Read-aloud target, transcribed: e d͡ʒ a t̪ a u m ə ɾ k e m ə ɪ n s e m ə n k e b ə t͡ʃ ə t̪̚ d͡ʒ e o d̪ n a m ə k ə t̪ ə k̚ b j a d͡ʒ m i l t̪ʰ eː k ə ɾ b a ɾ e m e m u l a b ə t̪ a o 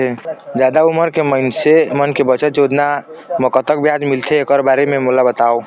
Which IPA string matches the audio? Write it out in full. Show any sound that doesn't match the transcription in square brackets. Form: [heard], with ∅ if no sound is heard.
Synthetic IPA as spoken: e d͡ʒ a [d̪] a u m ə ɾ k e m ə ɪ n s e m ə n k e b ə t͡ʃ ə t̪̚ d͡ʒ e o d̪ n a m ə k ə t̪ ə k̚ b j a d͡ʒ m i l t̪ʰ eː k ə ɾ b a ɾ e m e m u l a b ə t̪ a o